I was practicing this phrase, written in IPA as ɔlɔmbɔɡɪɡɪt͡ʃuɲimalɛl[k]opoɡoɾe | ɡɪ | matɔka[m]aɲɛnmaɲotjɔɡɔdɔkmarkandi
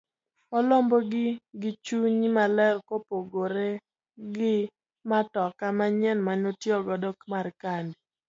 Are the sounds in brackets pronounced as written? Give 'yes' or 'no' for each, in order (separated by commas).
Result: yes, yes